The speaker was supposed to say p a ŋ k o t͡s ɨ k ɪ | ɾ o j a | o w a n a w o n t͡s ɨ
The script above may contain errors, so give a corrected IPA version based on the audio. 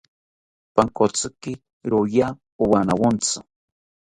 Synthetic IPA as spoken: p a ŋ k o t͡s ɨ k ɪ | ɾ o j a | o w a n a w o n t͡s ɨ